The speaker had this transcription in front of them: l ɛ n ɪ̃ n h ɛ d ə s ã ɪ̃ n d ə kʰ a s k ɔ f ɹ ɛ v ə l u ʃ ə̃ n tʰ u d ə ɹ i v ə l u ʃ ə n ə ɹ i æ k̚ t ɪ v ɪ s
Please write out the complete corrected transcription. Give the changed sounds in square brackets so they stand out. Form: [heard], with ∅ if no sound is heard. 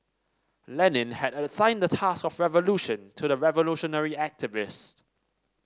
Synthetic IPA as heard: l ɛ n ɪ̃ n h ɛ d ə s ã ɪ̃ n d ə [tʰ] a s k ɔ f ɹ ɛ v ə l u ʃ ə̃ n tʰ u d ə ɹ [ɛ] v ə l u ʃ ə n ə ɹ i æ k̚ t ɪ v ɪ s